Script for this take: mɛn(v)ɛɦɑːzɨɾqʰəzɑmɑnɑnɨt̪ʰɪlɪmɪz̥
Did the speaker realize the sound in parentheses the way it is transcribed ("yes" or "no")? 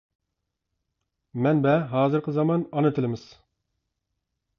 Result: no